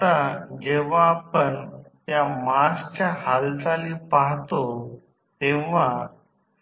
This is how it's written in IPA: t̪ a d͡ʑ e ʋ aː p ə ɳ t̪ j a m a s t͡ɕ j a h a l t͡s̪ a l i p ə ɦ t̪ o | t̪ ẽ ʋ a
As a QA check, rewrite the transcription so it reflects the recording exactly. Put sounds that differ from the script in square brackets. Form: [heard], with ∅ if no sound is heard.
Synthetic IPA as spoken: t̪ a d͡ʑ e ʋ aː p ə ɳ t̪ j a m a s t͡ɕ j a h a l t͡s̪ a l i p [a] ɦ t̪ o | t̪ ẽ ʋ a